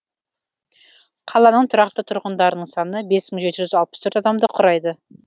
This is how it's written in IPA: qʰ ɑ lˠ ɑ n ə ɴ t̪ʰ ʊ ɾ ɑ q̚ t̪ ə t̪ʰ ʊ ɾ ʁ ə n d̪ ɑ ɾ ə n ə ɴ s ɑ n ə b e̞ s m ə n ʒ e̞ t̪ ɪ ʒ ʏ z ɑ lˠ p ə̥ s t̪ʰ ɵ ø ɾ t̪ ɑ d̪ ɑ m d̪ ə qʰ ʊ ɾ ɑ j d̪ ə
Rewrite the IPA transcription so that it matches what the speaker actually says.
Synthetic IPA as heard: qʰ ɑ lˠ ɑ n ə ɴ t̪ʰ ʊ ɾ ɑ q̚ t̪ ə t̪ʰ ʊ ɾ ʁ ə n d̪ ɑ ɾ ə n ə ɴ s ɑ n ə b e̞ s m ə ɴ ʒ e̞ t̪ ɪ ʒ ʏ z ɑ lˠ p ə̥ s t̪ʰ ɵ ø ɾ t̪ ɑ d̪ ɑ m d̪ ə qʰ ʊ ɾ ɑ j d̪ ə

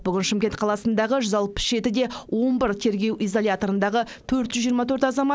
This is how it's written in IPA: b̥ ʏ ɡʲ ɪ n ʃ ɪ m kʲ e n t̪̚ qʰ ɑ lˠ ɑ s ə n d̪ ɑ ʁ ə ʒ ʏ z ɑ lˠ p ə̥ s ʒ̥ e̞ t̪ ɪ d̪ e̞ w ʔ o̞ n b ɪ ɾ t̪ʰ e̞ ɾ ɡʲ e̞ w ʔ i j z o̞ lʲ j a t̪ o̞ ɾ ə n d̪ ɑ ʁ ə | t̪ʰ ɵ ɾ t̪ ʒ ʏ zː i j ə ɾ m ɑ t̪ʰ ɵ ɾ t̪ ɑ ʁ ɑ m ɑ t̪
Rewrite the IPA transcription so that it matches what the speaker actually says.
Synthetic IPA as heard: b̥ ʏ ɡʲ ɪ n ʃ ɪ m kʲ e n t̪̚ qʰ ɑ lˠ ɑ s ə n d̪ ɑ ʁ ə ʒ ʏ z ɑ lˠ p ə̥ s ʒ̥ e̞ t̪ ɪ d̪ e̞ w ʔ o̞ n b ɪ ɾ t̪ʰ e̞ ɾ ɡʲ e̞ w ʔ i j z o̞ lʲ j a t̪ o̞ ɾ ə n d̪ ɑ ʁ ə | t̪ʰ ɵ ɾ t̪ ʒ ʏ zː i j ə ɾ m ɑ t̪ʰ ɵ ɾ t̪ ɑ z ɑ m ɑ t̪

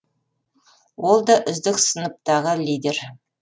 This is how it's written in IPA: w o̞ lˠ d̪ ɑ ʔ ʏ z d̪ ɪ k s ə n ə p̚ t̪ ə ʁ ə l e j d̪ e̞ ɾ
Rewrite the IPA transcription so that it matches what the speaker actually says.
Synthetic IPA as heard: w o̞ lˠ d̪ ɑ ʔ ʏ z d̪ ɪ k s ə n ə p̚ t̪ ɑ ʁ ə l i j d̪ e̞ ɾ

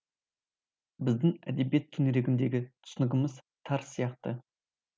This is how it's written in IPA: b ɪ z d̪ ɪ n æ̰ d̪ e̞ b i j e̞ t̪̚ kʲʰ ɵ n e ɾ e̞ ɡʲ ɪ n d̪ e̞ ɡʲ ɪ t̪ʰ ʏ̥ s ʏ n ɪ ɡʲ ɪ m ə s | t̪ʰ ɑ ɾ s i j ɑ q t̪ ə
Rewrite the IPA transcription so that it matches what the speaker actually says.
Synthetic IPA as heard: b ɪ z d̪ ɪ ŋ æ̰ d̪ e̞ b i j e̞ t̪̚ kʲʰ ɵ n e ɾ e̞ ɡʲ ɪ n d̪ e̞ ɡʲ ɪ t̪ʰ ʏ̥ s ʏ n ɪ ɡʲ ɪ m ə z | t̪ʰ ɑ ɾ s i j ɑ q t̪ ə

